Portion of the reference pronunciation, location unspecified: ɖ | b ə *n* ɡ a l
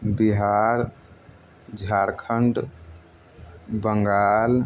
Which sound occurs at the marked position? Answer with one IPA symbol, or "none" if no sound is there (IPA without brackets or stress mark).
ŋ